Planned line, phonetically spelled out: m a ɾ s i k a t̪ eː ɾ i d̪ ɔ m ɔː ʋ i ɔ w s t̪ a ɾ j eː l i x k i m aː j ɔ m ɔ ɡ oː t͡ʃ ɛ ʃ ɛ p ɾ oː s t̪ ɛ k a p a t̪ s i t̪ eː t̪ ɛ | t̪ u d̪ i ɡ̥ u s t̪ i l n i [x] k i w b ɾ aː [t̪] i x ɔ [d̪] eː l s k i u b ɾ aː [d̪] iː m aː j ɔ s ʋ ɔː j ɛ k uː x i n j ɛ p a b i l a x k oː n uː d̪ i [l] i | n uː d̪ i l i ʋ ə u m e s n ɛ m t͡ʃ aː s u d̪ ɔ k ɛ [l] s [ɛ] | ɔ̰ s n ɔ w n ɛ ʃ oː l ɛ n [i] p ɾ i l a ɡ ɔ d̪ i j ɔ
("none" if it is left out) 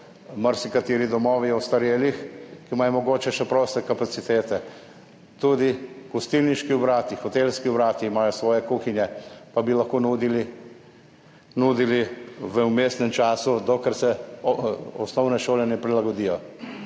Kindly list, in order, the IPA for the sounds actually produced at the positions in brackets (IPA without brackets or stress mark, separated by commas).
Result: ʃ, t̪, t̪, t̪, l, ɾ, ɛ, ɛ